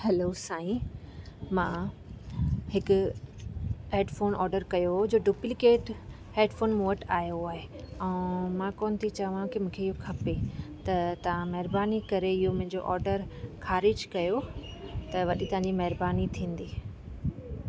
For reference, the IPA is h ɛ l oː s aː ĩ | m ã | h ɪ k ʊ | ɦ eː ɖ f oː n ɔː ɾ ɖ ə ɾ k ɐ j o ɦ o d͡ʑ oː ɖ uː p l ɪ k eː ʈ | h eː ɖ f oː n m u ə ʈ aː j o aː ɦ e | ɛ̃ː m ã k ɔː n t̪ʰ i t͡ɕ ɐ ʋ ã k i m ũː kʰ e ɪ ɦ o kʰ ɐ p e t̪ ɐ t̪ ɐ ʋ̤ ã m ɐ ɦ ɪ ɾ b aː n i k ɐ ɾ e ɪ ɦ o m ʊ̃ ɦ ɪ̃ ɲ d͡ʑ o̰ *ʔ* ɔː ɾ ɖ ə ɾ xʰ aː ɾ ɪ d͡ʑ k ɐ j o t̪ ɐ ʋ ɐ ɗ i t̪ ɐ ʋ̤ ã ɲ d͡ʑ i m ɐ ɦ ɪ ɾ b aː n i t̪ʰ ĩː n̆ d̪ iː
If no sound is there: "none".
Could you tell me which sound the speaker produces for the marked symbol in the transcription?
ʔ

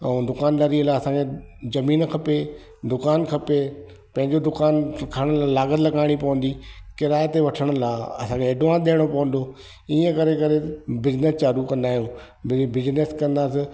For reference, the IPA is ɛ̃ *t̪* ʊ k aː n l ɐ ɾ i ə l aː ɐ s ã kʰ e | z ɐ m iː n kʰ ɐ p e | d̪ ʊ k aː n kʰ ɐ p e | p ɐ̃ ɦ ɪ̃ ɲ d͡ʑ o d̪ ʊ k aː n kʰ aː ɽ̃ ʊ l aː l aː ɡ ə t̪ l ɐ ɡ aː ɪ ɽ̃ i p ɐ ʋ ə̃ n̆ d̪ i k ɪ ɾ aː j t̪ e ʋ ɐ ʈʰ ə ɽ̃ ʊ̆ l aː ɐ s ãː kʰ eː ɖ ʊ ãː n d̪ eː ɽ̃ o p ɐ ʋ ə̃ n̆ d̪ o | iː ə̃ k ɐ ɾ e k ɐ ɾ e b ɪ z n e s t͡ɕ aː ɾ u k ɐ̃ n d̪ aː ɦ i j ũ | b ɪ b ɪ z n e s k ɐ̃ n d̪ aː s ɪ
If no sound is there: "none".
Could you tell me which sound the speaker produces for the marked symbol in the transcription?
d̪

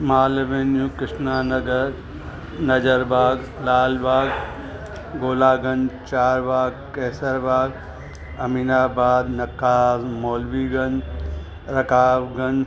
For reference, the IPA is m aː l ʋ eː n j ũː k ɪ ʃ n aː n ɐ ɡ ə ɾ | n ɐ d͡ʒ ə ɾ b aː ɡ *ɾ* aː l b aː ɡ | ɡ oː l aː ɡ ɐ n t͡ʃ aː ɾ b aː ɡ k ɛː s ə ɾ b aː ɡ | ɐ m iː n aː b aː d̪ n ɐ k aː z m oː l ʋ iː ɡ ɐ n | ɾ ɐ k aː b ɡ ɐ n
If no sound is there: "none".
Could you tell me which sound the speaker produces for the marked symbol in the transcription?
l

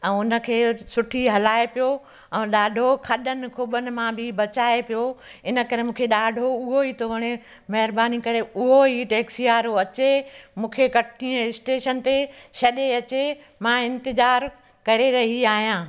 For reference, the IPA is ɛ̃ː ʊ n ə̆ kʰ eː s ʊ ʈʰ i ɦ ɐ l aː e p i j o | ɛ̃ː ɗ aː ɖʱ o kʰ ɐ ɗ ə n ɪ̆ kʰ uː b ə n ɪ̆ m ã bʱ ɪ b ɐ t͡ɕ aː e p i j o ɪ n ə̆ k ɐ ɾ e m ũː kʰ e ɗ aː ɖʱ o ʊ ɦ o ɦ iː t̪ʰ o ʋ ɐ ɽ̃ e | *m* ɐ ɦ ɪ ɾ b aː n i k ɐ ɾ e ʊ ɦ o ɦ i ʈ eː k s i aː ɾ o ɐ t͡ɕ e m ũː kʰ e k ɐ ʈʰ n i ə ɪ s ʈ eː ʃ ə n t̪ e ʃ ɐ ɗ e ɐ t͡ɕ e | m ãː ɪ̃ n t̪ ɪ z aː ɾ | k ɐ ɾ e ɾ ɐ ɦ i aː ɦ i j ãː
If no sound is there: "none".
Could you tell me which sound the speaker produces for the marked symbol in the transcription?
m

